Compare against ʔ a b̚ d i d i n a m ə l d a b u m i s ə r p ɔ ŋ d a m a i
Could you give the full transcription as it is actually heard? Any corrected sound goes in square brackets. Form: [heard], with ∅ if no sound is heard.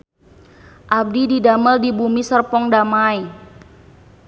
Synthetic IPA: ʔ a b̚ d i d i [d] a m ə l d [i] b u m i s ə r p ɔ ŋ d a m a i

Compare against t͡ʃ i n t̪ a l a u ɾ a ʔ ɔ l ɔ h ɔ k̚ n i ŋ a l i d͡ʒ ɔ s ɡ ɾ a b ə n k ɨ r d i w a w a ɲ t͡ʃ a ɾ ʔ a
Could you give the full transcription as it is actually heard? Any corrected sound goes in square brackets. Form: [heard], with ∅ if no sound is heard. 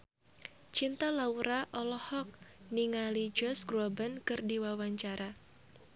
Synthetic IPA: t͡ʃ i n t̪ a l a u ɾ a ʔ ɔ l ɔ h ɔ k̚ n i ŋ a l i d͡ʒ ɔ s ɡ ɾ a b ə n k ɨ r d i w a w a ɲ t͡ʃ a ɾ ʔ a

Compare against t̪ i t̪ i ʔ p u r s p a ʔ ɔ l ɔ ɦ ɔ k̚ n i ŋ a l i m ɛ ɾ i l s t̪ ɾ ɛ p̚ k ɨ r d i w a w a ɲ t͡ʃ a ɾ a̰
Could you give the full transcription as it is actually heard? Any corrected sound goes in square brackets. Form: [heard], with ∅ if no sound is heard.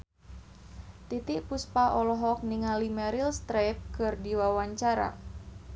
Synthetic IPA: t̪ i t̪ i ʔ p u [∅] s p a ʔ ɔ l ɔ ɦ ɔ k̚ n i ŋ a l i m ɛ ɾ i l s t̪ ɾ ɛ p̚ k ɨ r d i w a w a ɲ t͡ʃ a ɾ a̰

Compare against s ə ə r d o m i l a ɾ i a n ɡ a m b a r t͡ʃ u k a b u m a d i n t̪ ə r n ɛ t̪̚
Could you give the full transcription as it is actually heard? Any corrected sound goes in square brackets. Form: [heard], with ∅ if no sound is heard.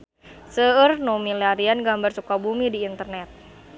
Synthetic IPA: s ə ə r [n] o m i l a ɾ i a n ɡ a m b a r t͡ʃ u k a b u m [i] d [iː] n t̪ ə r n ɛ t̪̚

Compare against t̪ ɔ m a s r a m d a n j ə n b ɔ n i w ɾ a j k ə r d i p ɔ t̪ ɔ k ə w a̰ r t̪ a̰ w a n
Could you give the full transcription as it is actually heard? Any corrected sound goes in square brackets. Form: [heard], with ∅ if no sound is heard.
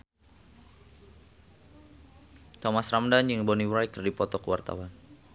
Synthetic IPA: t̪ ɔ m a s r a m d a n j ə [ŋ] b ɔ n i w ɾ a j k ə r d i p ɔ t̪ ɔ k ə w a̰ r t̪ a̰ w a n

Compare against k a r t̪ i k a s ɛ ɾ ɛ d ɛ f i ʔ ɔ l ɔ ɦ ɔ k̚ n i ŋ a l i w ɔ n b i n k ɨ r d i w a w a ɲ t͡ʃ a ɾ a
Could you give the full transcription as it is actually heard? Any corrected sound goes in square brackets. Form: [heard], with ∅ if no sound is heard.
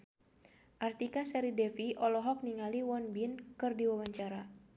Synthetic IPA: [ʔ] a r t̪ i k a s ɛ ɾ [i] d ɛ f i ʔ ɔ l ɔ ɦ ɔ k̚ n i ŋ a l i w ɔ n b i n k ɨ r d i w a w a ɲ t͡ʃ a ɾ a

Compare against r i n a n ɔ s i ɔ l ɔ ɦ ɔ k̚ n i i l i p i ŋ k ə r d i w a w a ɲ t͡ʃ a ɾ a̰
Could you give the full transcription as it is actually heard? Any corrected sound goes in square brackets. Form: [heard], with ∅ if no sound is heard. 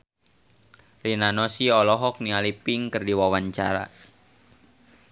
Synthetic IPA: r i n a n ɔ s i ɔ l ɔ ɦ ɔ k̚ n i [a] l i p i ŋ k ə r d i w a w a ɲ t͡ʃ a ɾ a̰

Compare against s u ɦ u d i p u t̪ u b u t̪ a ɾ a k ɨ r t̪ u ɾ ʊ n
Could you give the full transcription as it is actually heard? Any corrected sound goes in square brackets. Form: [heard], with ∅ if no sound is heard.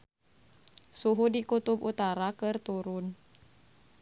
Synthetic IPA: s u ɦ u d i [k] u t̪ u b u t̪ a ɾ a k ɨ r t̪ u ɾ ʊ n

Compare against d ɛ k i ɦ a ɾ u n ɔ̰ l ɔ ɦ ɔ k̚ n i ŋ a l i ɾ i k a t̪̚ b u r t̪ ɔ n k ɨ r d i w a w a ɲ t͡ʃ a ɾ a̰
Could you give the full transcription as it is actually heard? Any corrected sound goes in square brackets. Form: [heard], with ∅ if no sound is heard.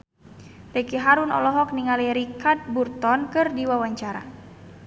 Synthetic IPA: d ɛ k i ɦ a ɾ u n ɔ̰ l ɔ ɦ ɔ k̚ n i ŋ a l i ɾ i k a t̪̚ b u r t̪ ɔ n k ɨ r d i w a w a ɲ t͡ʃ a ɾ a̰

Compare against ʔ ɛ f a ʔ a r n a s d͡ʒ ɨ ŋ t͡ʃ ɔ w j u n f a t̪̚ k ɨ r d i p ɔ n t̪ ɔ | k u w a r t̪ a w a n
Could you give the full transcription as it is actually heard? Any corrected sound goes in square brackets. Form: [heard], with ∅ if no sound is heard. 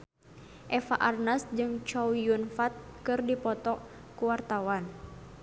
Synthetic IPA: ʔ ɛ f a ʔ a r n a s d͡ʒ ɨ ŋ t͡ʃ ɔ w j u n f a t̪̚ k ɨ r d i p ɔ [∅] t̪ ɔ | k u w a r t̪ a w a n

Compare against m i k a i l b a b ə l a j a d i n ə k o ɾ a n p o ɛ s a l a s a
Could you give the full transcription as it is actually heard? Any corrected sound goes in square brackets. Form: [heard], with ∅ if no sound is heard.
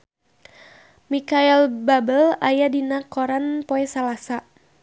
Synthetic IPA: m i k a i l b a b ə l a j a d i n [a] k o ɾ a n p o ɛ s a l a s a

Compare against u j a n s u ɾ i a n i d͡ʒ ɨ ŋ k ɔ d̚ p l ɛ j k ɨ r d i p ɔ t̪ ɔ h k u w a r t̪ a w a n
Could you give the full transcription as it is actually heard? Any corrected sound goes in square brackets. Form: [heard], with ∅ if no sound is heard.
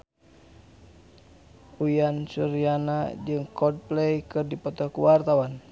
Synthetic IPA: u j a n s u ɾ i a n [a] d͡ʒ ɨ ŋ k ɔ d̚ p l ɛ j k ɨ r d i p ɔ t̪ ɔ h k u w a r t̪ a w a n

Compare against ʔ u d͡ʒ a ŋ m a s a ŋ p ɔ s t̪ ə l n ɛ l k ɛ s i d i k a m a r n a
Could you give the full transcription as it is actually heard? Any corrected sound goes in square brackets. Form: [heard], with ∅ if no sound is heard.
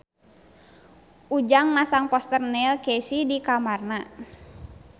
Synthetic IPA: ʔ u d͡ʒ a ŋ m a s a ŋ p ɔ s t̪ ə [r] n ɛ l k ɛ s i d i k a m a r n a

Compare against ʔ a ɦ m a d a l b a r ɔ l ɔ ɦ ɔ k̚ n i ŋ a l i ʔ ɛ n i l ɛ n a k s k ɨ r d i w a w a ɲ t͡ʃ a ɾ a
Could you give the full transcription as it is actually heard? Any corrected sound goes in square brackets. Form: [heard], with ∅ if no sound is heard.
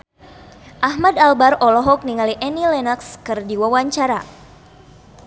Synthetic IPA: ʔ a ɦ m a d a l b a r ɔ l ɔ ɦ ɔ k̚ n i ŋ a l i ʔ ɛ n i l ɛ n a k s k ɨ r d i w a w a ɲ t͡ʃ a ɾ a

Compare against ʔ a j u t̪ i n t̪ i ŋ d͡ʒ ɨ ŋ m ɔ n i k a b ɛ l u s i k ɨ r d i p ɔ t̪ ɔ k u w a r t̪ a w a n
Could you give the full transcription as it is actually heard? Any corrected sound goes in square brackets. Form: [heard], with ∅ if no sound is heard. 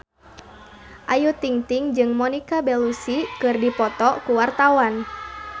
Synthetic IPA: ʔ a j u t̪ i [ŋ] t̪ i ŋ d͡ʒ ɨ ŋ m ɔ n i k a b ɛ l u s i k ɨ r d i p ɔ t̪ ɔ k u w a r t̪ a w a n

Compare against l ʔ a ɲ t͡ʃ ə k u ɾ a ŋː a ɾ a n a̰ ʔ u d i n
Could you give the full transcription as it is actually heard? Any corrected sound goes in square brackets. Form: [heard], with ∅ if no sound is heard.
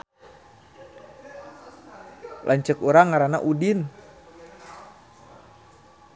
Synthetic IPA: l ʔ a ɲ t͡ʃ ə k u ɾ a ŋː a ɾ a n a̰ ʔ u d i n

